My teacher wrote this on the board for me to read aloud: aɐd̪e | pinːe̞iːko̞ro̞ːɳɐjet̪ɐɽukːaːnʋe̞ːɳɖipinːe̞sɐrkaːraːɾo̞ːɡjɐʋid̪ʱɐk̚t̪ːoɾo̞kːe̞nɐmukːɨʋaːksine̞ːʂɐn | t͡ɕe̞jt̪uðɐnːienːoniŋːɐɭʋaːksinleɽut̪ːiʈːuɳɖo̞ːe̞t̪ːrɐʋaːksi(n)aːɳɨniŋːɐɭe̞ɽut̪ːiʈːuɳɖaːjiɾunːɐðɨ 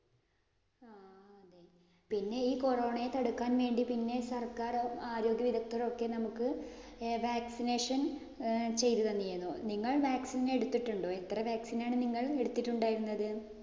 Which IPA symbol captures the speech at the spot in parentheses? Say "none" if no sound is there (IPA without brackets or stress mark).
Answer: n